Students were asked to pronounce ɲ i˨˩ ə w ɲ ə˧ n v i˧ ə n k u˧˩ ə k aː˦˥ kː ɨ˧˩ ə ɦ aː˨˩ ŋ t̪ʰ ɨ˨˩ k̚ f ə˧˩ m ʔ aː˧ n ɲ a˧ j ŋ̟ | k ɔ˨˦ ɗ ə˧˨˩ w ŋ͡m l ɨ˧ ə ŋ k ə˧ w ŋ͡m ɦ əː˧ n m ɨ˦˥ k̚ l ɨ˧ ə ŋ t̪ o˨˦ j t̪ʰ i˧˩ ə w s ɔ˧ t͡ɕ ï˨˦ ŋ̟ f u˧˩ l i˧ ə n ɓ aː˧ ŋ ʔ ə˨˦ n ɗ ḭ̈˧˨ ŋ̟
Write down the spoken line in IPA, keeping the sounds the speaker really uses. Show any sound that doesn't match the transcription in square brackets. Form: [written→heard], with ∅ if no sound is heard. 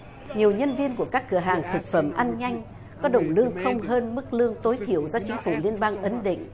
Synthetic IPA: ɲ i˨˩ ə w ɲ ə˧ n v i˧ ə n k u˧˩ ə k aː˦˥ kː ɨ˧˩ ə ɦ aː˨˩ ŋ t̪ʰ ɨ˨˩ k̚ f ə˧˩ m ʔ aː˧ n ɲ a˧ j ŋ̟ | k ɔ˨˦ ɗ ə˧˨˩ w ŋ͡m l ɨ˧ ə ŋ [k→x] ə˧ w ŋ͡m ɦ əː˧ n m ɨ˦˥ k̚ l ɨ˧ ə ŋ t̪ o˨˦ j t̪ʰ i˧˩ ə w [s→z] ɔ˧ t͡ɕ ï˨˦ ŋ̟ f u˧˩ l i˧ ə n ɓ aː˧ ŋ ʔ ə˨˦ n ɗ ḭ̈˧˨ ŋ̟